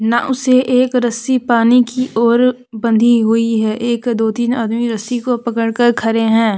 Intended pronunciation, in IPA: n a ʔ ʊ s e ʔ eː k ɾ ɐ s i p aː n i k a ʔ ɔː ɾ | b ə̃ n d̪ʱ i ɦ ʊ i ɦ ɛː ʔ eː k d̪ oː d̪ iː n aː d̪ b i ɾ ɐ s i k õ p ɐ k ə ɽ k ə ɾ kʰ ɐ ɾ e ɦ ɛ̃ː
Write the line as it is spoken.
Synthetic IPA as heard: n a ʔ ʊ s e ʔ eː k ɾ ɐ s i p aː n i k i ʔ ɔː ɾ | b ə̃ n d̪ʱ i ɦ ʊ i ɦ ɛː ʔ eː k d̪ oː t̪ iː n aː d̪ m i ɾ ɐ s i k o p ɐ k ə ɽ k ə ɾ kʰ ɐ ɾ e ɦ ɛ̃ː